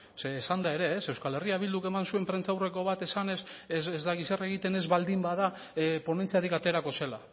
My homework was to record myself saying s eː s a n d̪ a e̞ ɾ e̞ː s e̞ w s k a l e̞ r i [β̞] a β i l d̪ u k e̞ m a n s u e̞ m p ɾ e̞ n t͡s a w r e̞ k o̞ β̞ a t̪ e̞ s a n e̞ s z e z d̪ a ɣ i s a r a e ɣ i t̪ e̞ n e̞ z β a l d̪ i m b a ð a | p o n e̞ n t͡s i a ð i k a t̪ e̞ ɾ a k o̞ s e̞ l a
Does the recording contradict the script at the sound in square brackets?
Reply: yes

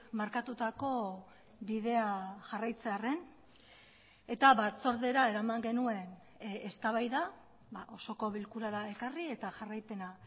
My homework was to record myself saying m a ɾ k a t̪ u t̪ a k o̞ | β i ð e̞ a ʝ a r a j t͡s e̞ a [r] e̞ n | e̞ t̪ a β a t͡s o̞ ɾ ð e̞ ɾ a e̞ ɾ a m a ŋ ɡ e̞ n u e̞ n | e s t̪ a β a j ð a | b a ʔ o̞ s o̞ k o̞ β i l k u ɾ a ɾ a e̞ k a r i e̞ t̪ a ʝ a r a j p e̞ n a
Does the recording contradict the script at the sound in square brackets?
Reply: no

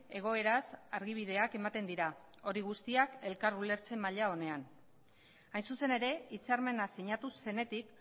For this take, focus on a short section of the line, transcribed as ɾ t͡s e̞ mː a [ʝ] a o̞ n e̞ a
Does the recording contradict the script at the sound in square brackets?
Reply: yes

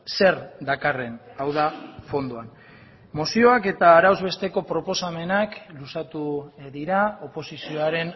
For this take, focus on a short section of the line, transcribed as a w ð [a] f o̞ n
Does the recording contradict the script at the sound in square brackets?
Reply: no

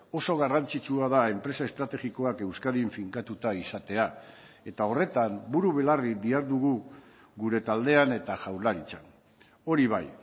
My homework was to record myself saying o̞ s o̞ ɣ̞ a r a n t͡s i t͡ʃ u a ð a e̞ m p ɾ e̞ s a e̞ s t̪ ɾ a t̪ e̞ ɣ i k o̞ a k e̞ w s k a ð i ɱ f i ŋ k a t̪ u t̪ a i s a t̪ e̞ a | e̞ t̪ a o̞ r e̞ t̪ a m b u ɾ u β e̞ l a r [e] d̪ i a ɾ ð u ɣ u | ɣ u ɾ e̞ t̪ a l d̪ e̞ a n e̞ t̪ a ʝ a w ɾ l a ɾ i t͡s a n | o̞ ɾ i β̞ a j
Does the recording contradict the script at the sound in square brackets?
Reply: yes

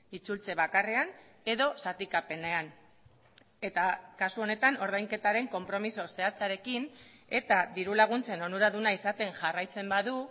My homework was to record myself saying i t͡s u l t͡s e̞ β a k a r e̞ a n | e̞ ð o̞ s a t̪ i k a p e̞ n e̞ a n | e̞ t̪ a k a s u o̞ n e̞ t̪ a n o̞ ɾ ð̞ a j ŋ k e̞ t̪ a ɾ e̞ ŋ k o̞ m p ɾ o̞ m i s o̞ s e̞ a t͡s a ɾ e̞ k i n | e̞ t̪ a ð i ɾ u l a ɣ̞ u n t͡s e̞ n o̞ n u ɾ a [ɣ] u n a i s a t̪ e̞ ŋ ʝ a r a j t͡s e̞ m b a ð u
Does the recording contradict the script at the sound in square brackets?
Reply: yes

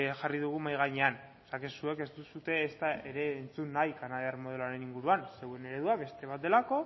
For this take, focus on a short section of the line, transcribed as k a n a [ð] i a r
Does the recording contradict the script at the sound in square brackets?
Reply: no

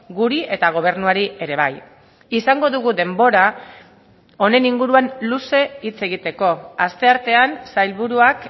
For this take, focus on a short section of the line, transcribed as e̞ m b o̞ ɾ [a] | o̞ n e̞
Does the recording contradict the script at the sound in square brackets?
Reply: no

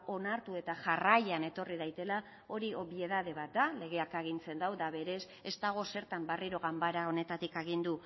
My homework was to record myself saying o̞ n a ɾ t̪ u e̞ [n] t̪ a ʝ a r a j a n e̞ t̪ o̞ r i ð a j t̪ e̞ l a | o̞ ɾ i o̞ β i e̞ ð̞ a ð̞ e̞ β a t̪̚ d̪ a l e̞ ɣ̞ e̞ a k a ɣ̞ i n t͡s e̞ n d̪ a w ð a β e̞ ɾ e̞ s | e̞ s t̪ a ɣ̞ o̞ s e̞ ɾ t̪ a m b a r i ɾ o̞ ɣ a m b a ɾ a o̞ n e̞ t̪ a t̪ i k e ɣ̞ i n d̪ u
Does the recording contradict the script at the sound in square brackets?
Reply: yes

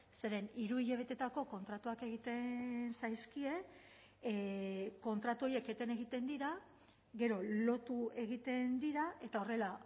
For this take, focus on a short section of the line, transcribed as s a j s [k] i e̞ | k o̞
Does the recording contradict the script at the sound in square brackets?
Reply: no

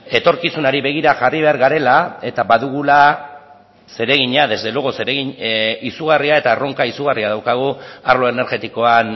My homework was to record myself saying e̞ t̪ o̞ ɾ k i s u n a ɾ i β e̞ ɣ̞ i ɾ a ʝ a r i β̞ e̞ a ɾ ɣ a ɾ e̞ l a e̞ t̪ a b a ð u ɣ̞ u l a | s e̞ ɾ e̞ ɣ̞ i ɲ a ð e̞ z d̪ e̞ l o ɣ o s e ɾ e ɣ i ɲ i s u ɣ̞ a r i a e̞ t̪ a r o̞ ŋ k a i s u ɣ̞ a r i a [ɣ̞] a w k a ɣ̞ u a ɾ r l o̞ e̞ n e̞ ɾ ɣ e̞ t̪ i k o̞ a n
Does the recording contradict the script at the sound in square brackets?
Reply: yes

